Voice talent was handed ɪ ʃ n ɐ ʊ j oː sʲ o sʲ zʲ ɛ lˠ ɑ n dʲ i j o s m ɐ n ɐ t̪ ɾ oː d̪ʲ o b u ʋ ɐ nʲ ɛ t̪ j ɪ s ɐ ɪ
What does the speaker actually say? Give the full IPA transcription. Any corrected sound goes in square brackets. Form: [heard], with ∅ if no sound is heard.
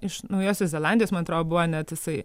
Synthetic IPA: ɪ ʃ n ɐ ʊ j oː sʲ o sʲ zʲ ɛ lˠ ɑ n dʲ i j o s m ɐ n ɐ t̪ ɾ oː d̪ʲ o b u ʋ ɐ nʲ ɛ t̪ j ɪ s ɐ ɪ